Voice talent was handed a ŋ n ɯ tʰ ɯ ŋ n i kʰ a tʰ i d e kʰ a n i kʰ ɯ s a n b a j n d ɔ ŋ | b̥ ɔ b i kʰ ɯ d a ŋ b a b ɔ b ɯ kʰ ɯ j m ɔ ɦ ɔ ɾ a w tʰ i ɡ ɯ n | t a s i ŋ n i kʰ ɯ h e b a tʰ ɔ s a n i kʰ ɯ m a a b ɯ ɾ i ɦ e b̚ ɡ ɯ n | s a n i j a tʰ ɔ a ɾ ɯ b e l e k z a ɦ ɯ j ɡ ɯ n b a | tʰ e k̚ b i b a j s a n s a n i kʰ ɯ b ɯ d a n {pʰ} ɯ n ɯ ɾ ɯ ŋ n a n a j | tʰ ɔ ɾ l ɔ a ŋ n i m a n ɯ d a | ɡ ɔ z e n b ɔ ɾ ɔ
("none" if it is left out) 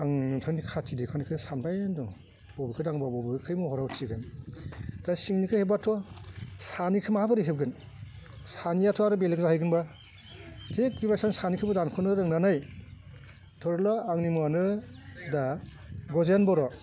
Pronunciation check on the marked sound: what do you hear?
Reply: kʰ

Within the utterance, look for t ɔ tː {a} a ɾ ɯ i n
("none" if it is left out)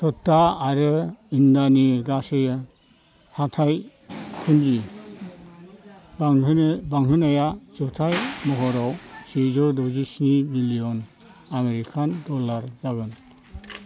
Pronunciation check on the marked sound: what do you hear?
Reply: a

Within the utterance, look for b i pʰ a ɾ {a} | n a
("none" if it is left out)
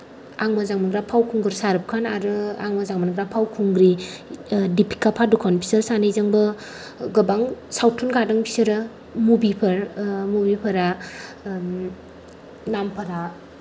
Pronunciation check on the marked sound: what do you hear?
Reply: a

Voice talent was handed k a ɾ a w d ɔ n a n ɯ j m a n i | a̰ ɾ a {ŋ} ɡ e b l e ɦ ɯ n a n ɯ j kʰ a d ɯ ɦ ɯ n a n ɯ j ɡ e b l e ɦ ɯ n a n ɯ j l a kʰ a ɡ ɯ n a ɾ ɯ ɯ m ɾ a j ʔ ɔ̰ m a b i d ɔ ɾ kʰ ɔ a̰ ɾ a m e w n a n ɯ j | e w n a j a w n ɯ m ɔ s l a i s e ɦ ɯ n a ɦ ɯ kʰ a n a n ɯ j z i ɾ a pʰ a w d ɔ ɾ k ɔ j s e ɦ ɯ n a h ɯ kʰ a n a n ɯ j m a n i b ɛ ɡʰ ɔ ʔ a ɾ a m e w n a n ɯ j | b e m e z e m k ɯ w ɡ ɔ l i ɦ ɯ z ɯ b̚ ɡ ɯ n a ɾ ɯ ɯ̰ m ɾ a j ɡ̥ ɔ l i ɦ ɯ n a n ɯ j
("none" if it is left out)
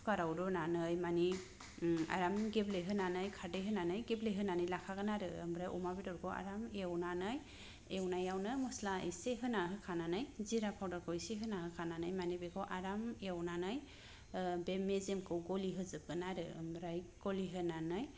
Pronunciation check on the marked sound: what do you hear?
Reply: m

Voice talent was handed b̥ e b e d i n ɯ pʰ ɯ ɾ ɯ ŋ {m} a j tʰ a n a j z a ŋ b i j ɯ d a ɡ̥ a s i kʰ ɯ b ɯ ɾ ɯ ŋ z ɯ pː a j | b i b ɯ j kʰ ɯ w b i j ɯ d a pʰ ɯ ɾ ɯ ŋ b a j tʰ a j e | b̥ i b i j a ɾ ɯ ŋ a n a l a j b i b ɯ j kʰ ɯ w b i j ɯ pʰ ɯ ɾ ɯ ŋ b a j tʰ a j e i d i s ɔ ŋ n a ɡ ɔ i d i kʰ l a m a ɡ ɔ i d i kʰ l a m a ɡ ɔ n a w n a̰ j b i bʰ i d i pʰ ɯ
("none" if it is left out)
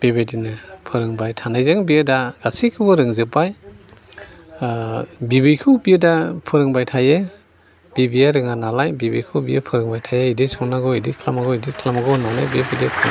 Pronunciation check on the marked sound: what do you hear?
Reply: b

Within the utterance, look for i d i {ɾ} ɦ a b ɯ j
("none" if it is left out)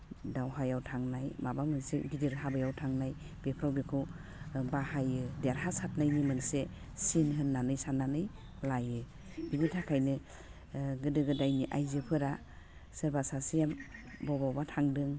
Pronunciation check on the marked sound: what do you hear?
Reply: ɾ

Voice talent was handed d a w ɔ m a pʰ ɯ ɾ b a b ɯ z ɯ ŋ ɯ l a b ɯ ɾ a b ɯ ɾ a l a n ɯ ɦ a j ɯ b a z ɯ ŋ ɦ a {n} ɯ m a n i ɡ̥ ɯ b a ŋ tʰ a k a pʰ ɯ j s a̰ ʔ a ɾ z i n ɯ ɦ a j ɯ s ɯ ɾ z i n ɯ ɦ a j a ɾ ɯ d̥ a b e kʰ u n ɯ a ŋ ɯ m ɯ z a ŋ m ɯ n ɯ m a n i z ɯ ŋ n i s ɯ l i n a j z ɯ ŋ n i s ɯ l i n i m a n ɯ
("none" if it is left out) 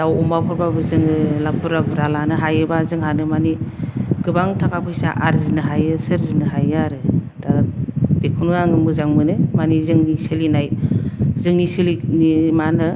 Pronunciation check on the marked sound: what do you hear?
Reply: n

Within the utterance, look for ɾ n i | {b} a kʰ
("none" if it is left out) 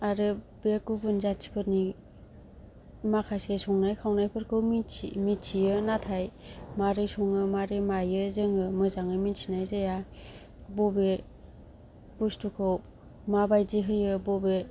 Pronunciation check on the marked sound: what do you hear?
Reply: m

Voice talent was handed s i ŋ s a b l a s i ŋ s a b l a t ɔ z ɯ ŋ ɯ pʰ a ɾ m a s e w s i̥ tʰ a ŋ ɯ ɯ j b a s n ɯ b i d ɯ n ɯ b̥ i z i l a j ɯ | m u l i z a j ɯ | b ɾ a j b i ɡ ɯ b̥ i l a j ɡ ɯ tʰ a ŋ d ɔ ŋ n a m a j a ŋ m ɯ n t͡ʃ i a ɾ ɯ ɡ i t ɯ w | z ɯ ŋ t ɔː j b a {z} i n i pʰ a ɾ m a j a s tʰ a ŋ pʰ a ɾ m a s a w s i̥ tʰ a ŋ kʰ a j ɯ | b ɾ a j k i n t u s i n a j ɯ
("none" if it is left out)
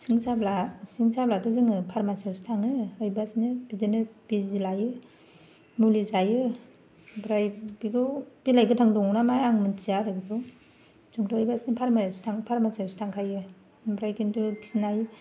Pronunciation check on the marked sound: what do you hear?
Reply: s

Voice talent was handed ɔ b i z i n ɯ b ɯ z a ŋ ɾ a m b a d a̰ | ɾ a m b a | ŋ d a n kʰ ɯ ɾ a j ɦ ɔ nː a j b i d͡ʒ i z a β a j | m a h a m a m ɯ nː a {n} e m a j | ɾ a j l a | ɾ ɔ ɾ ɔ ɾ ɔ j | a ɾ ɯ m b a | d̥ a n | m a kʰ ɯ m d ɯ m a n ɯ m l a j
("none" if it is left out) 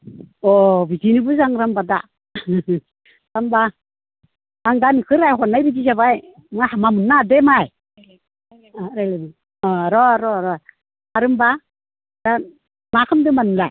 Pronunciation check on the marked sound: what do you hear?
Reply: d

